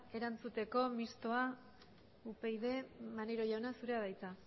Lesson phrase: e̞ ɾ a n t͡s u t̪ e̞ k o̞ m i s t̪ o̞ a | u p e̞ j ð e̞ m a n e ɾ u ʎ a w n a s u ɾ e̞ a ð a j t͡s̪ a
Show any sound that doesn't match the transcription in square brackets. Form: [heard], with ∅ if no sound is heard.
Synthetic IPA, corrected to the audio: e̞ ɾ a n t͡s u t̪ e̞ k o̞ m i s t̪ o̞ a | u p e̞ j ð e̞ m a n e ɾ [o] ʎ a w n a s u ɾ e̞ a ð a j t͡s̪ a